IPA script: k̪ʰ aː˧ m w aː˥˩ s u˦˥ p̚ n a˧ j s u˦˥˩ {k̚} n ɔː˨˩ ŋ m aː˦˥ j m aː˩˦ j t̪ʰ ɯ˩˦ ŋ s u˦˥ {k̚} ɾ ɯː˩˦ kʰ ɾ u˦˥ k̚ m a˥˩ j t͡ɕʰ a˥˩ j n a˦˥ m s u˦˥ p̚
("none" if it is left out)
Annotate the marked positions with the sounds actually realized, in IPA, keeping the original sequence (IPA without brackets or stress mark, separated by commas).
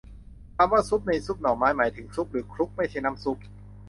p̚, p̚